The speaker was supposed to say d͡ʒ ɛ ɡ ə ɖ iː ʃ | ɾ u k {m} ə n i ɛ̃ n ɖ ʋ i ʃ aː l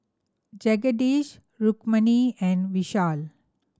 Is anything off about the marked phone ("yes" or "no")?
no